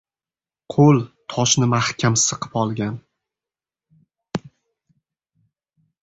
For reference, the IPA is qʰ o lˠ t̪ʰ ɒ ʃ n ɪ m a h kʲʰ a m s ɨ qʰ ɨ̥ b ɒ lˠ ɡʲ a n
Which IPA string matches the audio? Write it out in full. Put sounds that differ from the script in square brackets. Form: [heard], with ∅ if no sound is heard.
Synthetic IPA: qʰ o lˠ t̪ʰ ɒ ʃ n ɪ m a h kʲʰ a m s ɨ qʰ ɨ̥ [p] ɒ lˠ ɡʲ a n